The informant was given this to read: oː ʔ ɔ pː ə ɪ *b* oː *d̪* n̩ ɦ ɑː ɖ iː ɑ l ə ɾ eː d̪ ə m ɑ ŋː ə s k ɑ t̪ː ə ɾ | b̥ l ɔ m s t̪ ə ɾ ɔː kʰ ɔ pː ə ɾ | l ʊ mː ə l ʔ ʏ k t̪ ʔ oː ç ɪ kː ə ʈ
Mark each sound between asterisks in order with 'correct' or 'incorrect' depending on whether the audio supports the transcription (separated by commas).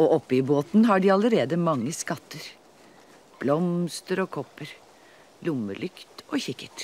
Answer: correct, incorrect